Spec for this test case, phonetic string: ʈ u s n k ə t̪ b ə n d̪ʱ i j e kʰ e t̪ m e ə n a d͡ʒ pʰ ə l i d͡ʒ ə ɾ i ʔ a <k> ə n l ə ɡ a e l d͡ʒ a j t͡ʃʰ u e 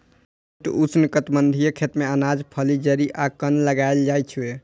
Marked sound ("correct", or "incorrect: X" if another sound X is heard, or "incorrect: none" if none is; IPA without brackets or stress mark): correct